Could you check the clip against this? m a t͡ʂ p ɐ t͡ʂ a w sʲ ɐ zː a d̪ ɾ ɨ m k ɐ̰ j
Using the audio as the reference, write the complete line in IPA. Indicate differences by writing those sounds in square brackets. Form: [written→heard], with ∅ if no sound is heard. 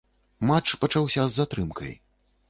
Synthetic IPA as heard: m a t͡ʂ p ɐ t͡ʂ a w sʲ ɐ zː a [d̪→t̪] ɾ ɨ m k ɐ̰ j